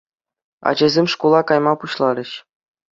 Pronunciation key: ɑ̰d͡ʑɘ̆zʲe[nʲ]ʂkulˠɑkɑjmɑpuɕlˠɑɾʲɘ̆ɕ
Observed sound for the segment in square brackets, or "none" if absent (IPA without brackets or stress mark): mʲ